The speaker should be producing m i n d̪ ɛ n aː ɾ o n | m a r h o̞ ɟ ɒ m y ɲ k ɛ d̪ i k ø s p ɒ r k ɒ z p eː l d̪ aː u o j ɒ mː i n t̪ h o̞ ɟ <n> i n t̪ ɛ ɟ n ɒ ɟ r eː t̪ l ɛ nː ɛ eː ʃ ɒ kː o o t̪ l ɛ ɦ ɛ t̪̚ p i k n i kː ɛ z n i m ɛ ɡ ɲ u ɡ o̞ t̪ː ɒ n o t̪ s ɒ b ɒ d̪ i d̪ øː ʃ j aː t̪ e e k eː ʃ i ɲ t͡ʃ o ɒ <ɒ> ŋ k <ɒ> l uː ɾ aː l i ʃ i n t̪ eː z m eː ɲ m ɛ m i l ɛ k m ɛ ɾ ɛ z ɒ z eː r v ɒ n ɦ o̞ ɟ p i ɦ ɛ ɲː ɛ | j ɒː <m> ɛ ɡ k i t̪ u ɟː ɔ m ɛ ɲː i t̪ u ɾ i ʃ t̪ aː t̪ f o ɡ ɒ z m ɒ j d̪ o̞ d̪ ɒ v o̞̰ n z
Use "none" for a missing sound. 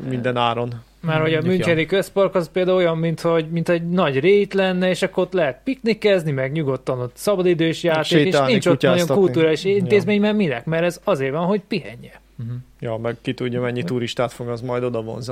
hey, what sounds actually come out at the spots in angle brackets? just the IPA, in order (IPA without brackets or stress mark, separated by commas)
m, o, u, m